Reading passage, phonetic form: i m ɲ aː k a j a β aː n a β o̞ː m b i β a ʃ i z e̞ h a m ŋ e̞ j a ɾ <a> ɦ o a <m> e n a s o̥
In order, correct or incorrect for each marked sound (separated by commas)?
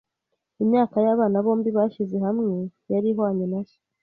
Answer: incorrect, incorrect